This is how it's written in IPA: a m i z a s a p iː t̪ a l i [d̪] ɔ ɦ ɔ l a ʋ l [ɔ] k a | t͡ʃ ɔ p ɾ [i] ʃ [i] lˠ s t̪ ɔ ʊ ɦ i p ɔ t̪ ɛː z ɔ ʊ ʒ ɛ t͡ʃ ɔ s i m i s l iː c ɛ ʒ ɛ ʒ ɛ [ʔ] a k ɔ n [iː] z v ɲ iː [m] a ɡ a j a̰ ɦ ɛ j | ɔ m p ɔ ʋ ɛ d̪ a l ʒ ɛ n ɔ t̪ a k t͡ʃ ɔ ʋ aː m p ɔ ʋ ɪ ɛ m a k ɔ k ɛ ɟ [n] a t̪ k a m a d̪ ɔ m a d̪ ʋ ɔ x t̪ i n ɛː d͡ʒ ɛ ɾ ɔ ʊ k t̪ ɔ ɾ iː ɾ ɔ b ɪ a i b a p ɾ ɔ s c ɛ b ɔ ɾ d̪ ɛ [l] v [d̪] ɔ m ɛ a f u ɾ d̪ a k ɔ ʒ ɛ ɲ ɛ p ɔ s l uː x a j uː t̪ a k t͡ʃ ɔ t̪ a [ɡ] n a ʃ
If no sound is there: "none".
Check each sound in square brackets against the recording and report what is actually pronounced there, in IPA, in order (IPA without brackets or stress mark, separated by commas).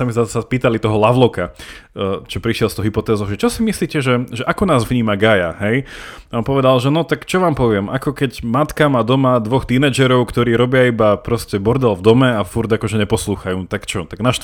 t̪, ɔ, i, ɛ, ʔ, aː, m, m, l, d̪, ɡ